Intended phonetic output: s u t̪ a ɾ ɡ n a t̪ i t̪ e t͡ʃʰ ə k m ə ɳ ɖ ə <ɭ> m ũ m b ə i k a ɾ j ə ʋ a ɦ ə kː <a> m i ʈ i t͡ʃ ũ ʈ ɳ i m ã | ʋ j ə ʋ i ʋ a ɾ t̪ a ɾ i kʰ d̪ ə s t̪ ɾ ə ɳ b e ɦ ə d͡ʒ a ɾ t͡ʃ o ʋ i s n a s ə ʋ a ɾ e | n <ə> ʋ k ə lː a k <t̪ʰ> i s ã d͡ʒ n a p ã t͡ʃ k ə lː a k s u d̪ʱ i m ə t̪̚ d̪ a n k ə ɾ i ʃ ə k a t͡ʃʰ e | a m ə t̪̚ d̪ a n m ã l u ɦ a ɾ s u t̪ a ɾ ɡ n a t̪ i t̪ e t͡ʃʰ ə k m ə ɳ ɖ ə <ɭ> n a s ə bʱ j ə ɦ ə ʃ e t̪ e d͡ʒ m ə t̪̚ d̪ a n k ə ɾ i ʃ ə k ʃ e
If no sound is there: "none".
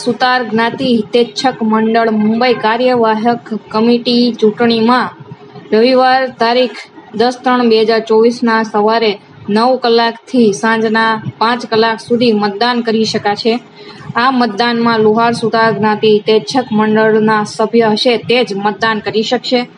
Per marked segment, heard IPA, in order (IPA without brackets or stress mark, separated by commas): ɭ, ə, ə, t̪ʰ, ɭ